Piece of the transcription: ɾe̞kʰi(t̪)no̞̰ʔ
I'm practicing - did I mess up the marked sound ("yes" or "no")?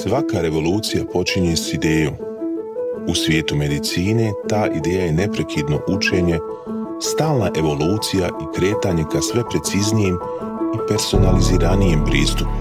yes